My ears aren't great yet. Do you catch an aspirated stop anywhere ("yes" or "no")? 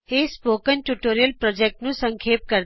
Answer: yes